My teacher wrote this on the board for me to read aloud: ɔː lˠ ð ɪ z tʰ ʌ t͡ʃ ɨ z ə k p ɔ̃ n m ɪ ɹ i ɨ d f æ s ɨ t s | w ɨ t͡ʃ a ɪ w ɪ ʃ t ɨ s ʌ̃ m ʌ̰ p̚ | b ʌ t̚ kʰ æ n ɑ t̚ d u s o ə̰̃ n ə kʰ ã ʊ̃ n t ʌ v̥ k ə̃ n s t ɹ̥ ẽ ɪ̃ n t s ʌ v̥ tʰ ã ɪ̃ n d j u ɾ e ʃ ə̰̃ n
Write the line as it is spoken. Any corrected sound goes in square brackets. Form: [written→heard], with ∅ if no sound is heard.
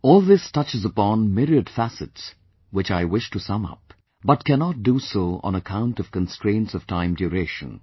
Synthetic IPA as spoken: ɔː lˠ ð ɪ [z→s] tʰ ʌ t͡ʃ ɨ z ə [k→∅] p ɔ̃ n m ɪ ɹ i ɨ d f æ s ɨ t s | w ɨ t͡ʃ a ɪ w ɪ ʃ t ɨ s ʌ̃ m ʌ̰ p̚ | b ʌ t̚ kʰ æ n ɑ t̚ d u s o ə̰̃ n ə kʰ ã ʊ̃ n t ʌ v̥ k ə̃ n s t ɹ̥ ẽ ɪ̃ n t s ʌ v̥ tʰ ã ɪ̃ [n→m] d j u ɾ e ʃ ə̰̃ n